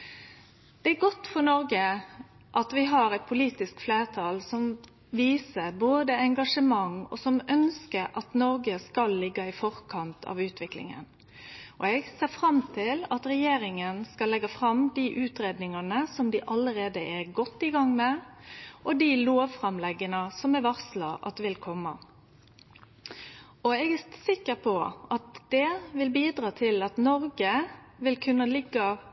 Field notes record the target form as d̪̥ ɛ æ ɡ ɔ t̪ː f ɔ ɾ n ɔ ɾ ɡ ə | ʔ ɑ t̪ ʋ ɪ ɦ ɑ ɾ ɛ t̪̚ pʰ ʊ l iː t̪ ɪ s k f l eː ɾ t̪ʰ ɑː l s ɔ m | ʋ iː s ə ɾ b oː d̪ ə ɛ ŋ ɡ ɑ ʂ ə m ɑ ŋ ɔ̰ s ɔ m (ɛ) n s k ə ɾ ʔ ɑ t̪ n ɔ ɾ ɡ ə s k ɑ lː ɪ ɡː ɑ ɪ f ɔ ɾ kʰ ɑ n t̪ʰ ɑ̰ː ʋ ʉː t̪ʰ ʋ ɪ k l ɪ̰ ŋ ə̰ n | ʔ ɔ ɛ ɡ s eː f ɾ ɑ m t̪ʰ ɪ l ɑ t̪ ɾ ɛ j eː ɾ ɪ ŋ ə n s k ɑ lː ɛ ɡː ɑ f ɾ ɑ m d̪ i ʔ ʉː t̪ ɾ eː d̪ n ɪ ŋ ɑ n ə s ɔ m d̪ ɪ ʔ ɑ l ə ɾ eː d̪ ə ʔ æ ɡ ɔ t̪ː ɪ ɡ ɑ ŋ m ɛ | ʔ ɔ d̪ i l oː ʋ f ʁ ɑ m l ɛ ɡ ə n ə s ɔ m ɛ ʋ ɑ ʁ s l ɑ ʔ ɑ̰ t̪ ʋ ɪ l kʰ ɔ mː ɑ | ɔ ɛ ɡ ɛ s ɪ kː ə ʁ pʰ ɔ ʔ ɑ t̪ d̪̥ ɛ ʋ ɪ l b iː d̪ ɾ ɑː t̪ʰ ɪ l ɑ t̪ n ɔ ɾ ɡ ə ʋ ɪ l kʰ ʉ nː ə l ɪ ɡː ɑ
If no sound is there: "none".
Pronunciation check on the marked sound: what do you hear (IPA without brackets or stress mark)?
œ